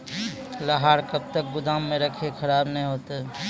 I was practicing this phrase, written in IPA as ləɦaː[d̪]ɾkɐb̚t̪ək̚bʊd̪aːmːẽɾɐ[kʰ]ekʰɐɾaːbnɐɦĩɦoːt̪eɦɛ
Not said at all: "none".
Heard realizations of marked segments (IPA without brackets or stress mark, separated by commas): none, kʰ